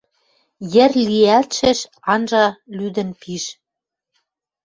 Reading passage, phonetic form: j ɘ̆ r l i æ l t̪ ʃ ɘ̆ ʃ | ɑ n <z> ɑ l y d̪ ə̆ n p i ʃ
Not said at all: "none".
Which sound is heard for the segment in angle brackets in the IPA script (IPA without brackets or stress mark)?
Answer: ʒ